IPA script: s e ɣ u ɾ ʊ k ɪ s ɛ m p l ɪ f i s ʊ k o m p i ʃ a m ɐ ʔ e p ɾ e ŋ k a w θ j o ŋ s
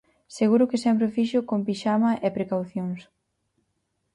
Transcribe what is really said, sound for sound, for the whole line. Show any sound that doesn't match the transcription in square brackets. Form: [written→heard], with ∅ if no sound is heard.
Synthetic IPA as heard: s e ɣ u ɾ ʊ k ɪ s ɛ m p [l→ɾ] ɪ f i [s→ʃ] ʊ k o m p i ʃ a m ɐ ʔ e p ɾ e [ŋ→∅] k a w θ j o ŋ s